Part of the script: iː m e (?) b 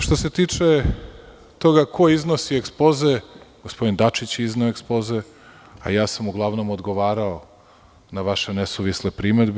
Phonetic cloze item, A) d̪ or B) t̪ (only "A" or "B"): A